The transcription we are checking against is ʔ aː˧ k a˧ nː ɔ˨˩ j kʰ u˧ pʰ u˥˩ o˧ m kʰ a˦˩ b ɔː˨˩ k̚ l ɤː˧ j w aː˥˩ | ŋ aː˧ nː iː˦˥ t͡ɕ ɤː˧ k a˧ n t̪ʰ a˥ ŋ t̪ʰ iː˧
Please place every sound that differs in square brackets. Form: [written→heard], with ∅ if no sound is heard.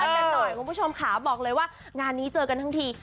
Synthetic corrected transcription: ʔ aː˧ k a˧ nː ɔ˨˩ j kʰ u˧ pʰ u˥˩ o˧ m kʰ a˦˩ b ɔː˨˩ k̚ l ɤː˧ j w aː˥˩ | ŋ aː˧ nː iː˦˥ t͡ɕ ɤː˧ k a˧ n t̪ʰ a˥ ŋ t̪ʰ iː˧